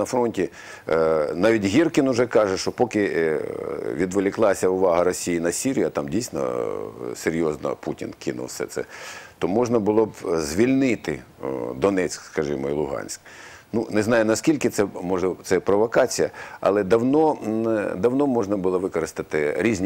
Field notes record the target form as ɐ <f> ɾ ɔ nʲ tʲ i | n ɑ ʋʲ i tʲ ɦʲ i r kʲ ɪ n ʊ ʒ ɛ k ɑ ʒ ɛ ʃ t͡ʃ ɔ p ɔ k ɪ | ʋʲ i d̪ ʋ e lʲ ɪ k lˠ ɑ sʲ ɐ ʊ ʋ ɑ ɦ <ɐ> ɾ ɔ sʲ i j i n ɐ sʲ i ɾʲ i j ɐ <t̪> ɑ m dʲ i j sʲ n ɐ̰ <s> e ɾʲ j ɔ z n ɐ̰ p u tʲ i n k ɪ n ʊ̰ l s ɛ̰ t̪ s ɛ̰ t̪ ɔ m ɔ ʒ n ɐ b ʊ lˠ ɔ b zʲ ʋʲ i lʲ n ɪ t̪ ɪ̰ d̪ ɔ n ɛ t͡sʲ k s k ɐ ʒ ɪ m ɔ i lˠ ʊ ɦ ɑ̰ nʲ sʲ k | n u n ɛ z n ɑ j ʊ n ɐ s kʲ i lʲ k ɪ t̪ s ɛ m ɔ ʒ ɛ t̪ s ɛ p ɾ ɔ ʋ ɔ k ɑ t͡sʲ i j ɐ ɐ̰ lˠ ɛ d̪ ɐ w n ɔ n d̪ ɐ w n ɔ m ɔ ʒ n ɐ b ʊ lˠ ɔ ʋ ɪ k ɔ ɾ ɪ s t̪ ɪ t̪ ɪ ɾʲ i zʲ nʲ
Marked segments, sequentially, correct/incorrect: correct, correct, correct, correct

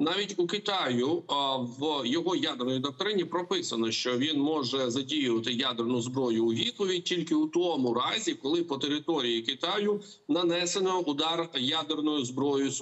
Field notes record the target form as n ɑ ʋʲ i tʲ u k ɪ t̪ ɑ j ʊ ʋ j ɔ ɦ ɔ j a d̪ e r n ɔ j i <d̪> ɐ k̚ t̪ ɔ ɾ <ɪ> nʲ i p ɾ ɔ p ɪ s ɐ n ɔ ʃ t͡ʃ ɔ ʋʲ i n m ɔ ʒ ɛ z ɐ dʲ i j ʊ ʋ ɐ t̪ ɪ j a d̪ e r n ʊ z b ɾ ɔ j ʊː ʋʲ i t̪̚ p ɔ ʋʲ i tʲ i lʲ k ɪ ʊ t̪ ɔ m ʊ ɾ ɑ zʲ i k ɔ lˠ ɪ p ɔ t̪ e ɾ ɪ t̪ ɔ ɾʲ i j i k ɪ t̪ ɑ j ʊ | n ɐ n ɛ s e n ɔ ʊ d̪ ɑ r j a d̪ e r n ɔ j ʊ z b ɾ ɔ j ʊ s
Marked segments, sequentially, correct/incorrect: correct, correct

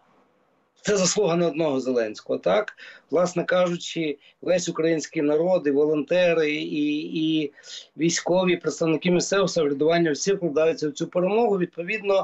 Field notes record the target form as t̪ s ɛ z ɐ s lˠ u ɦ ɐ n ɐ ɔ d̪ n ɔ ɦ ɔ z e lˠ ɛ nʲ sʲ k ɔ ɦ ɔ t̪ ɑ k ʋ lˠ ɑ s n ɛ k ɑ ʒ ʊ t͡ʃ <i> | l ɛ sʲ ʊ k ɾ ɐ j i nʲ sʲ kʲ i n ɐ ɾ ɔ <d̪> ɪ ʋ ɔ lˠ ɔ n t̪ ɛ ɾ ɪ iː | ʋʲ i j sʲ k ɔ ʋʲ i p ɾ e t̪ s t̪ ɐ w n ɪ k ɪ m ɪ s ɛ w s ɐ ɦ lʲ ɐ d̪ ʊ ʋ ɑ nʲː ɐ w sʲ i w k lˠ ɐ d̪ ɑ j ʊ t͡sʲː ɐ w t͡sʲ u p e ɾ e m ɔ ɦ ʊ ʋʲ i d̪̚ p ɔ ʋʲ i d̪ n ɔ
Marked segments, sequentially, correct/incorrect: incorrect, correct

